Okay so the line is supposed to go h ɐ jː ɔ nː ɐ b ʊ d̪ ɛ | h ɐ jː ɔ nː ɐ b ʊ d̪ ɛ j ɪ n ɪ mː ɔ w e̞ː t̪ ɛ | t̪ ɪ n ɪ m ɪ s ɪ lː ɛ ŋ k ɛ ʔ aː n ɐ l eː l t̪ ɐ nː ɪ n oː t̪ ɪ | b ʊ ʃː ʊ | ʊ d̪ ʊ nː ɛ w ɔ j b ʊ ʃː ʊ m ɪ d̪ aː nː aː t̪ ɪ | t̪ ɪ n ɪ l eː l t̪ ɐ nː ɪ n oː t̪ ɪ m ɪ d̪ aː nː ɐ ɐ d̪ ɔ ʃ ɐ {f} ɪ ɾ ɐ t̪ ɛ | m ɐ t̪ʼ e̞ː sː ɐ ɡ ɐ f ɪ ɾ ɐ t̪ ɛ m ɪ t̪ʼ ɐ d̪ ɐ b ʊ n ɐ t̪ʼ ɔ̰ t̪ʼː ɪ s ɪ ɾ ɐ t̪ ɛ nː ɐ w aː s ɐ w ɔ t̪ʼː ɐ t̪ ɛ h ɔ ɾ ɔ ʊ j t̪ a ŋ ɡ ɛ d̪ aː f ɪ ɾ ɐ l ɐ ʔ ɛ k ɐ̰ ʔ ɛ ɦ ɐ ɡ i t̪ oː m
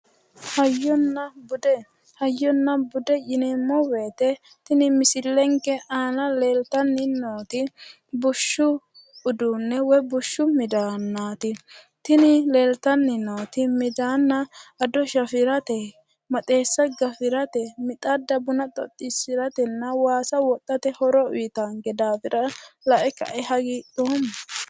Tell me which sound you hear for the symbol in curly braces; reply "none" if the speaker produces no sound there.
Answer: f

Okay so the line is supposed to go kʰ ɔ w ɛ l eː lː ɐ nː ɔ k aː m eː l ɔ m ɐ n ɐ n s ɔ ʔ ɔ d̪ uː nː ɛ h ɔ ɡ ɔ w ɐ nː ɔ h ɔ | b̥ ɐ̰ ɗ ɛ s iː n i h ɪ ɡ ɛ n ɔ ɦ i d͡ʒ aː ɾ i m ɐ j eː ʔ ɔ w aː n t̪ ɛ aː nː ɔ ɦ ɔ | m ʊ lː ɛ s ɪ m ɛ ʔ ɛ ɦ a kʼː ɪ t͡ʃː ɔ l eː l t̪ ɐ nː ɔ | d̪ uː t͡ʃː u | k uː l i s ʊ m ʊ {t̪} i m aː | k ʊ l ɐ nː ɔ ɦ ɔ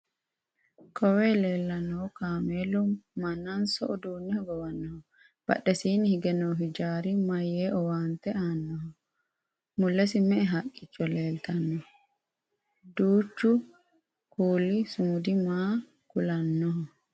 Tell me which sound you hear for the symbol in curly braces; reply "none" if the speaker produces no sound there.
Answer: d̪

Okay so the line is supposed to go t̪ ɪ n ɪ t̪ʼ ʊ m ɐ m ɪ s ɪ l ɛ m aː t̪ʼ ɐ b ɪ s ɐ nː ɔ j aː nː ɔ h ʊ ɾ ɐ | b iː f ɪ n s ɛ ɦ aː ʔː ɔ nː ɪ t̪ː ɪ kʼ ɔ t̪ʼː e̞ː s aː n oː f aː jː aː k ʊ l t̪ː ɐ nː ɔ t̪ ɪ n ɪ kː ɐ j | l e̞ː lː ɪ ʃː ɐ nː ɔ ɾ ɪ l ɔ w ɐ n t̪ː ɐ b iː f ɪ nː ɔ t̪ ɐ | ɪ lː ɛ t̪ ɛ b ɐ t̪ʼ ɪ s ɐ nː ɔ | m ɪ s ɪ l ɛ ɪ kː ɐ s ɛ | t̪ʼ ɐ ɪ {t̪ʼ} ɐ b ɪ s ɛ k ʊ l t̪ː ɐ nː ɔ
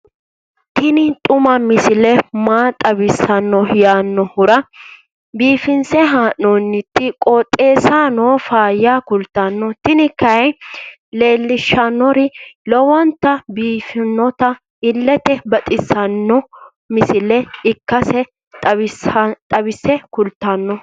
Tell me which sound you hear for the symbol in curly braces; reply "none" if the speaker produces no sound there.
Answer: t̪ʼ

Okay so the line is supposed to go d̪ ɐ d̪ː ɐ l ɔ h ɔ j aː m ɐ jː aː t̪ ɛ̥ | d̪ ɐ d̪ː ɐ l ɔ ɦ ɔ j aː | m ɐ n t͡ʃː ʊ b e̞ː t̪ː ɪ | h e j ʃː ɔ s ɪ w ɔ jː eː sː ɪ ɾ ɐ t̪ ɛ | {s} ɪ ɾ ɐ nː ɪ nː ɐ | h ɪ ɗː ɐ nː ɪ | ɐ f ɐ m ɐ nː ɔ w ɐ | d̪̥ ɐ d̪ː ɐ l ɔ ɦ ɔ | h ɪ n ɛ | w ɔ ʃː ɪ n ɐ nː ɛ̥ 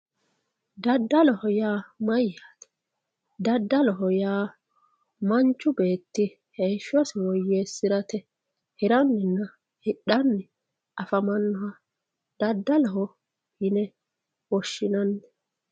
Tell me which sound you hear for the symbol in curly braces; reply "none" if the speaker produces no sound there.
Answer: h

